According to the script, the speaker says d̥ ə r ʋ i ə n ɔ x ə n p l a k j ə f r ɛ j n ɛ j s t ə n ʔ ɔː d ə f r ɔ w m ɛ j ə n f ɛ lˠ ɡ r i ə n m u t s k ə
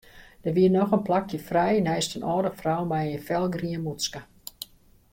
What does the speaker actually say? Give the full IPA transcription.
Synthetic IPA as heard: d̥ ə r ʋ i ə n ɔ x ə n p l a k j ə f r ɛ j n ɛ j s t ə n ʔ ɔː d ə f r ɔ w m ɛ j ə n f ɛ lˠ ɡ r i ə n m u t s k ə